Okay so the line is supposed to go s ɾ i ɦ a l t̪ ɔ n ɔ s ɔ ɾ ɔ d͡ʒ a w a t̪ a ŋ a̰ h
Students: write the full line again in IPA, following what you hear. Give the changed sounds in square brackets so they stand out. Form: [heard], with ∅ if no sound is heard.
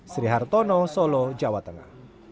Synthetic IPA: s ɾ i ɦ a [r] t̪ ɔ n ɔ s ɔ [l] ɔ d͡ʒ a w a t̪ [ə] ŋ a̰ h